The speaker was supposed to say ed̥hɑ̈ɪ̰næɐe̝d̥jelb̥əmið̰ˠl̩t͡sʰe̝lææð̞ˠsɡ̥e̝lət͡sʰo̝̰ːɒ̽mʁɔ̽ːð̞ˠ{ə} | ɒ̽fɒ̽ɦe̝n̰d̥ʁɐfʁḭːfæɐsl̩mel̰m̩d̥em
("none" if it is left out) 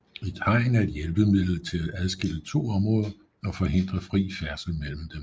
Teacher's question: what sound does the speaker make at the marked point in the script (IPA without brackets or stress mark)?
ɐ